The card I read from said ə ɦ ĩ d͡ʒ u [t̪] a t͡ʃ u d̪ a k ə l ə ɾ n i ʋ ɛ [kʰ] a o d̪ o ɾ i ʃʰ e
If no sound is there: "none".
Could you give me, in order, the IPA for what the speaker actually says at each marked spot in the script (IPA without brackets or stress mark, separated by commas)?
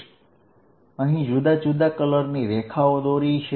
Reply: d̪, kʰ